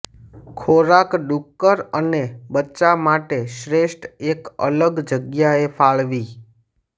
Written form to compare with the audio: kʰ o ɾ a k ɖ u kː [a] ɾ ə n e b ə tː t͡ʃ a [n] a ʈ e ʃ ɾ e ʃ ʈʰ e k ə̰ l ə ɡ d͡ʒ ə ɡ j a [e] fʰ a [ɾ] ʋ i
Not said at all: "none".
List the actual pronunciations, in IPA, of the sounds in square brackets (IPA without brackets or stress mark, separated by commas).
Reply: ə, m, e, ɭ